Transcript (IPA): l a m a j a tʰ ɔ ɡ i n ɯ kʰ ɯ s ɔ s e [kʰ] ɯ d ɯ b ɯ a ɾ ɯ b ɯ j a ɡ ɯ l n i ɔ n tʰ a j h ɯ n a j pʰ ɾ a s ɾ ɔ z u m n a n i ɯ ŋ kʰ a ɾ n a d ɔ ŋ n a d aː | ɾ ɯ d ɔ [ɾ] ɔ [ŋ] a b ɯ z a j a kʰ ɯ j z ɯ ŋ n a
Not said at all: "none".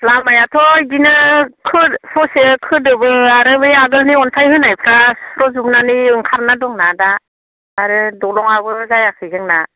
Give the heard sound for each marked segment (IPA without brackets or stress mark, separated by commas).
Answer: kʰ, l, ŋ